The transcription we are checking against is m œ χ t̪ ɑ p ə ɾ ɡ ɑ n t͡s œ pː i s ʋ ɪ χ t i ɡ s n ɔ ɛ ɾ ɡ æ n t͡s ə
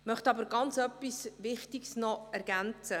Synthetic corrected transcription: m œ χ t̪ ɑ b ə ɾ ɡ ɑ n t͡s œ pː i s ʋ ɪ χ t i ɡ s n ɔ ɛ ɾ ɡ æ n t͡s ə

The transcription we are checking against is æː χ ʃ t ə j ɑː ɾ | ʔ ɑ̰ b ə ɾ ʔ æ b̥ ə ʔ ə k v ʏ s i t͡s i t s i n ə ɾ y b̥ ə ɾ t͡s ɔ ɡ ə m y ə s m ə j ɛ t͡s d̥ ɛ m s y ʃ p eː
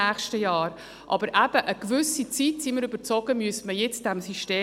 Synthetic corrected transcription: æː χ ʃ t ə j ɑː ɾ | ʔ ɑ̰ b ə ɾ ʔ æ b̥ ə ʔ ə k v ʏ s i t͡s i t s i m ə ɾ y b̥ ə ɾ t͡s ɔ ɡ ə m y ə s m ə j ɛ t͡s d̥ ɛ m s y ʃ t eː

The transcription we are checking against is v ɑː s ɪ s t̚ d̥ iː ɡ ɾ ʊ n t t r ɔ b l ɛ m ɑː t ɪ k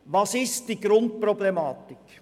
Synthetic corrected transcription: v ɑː s ɪ s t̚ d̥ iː ɡ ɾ ʊ n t p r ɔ b l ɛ m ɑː t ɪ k

